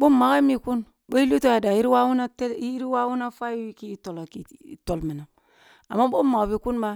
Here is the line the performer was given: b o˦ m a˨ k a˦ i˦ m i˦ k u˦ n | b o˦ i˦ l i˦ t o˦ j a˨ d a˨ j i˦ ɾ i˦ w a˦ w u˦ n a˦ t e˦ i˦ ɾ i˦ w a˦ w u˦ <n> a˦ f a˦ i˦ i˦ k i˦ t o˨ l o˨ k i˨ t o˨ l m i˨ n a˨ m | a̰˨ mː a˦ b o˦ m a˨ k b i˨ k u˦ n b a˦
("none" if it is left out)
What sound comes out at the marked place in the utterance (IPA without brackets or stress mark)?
n